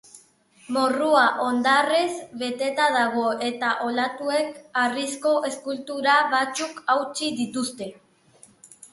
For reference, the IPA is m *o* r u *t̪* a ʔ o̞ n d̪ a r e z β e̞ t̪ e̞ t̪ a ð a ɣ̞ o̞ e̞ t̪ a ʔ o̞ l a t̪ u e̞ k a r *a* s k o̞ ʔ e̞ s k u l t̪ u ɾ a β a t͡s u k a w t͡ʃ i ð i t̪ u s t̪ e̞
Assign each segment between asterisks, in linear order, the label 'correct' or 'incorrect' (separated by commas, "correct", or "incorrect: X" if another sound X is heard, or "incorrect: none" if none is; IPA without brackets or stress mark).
correct, incorrect: none, incorrect: i